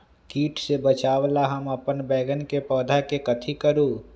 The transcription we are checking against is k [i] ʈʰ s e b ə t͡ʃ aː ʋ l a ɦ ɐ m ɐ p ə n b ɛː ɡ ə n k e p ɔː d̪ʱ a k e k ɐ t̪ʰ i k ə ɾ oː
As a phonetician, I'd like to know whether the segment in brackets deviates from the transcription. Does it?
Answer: yes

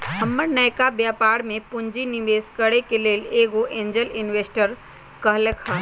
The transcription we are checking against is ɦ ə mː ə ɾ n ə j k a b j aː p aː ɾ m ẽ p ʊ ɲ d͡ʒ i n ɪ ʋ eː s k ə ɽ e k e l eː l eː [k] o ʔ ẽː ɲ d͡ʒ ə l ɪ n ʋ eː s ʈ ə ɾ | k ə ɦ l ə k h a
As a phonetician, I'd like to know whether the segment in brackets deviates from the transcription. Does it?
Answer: yes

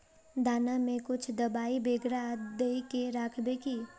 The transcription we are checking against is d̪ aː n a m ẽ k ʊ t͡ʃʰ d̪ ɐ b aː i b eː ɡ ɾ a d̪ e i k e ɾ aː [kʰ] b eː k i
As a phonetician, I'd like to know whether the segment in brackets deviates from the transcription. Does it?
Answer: no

